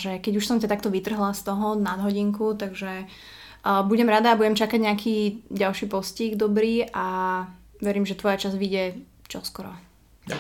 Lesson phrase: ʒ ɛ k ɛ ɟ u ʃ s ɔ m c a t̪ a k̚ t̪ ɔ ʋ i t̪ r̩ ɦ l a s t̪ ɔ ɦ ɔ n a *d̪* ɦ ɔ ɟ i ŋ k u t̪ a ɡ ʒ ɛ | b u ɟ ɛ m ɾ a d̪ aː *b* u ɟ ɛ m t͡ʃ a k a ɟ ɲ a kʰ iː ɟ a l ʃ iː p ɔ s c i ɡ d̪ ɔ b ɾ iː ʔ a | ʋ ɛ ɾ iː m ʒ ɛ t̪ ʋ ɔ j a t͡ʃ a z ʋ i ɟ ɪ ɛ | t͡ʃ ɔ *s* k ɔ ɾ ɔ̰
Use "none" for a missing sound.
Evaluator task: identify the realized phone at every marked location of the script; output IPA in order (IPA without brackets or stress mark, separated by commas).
d̪, b, s